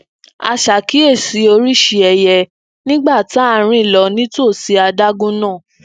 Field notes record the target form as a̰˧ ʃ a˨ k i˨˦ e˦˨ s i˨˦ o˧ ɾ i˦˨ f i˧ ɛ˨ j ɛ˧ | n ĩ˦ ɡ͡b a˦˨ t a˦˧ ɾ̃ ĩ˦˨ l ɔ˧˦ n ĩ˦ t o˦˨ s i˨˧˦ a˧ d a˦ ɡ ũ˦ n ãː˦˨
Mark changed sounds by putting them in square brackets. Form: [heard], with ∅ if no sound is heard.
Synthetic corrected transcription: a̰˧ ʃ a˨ k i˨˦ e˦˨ s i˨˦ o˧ ɾ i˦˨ [ʃ] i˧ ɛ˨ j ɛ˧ | n ĩ˦ ɡ͡b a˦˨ t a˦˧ ɾ̃ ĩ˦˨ l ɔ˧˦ n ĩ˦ t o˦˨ s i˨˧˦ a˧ d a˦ ɡ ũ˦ n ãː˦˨